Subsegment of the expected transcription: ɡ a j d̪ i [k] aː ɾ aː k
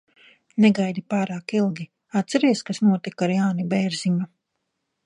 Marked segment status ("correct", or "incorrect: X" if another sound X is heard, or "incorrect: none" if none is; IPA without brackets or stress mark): incorrect: p